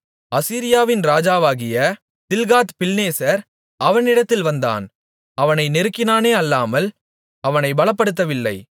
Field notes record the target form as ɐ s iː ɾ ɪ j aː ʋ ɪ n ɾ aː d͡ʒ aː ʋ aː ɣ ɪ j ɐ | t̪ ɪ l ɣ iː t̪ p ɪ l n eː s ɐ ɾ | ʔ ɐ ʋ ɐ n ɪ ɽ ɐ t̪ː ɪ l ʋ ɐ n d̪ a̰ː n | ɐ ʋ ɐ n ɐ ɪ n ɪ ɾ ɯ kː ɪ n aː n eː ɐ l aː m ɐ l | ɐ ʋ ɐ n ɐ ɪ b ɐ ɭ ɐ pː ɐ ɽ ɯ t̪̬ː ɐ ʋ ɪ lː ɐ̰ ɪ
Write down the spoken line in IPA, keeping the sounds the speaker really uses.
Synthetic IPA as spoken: ɐ s iː ɾ ɪ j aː ʋ ɪ n ɾ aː d͡ʒ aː ʋ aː ɣ ɪ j ɐ | t̪ ɪ l ɣ aː t̪ p ɪ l n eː s ɐ ɾ | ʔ ɐ ʋ ɐ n ɪ ɽ ɐ t̪ː ɪ l ʋ ɐ n d̪ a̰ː n | ɐ ʋ ɐ n ɐ ɪ n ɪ ɾ ɯ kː ɪ n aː n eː ɐ lː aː m ɐ l | ɐ ʋ ɐ n ɐ ɪ b ɐ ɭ ɐ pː ɐ ɽ ɯ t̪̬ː ɐ ʋ ɪ lː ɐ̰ ɪ